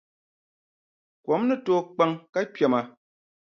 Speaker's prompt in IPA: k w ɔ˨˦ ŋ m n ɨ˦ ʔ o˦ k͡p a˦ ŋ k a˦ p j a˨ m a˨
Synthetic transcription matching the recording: k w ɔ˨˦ m n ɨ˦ t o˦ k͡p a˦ ŋ k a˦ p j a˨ m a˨